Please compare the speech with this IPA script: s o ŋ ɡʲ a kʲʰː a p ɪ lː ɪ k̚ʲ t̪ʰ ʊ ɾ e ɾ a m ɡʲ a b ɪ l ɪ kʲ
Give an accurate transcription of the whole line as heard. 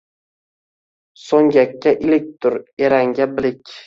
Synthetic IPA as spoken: s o ŋ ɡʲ a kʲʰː a ʔ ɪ l ɪ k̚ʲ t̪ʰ ʊ ɾ e ɾ a ŋ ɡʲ a b ɪ l ɪ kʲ